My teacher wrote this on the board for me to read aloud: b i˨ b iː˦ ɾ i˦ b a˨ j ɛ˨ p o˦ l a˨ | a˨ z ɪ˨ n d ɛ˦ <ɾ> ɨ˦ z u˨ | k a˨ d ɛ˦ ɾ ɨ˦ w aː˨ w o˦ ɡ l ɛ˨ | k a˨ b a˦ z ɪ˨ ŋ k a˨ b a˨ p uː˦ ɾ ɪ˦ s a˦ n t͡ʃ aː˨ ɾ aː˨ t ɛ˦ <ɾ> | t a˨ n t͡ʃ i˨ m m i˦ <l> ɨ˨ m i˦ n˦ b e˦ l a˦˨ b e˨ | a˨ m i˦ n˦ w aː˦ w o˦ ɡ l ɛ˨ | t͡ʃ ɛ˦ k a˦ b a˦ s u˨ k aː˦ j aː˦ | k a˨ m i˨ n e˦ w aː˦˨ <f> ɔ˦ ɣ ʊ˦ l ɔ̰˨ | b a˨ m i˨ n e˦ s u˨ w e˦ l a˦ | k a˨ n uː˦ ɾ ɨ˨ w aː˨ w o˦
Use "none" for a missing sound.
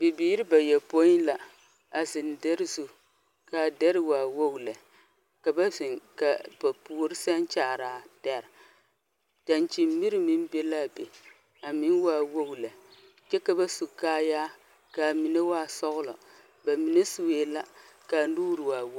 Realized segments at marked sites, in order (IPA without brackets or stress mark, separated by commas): ɾ, ɾ, ɾ, s